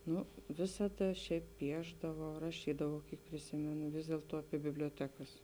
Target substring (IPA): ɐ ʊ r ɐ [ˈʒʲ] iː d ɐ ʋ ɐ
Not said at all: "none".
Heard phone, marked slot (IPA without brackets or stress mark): ʃʲ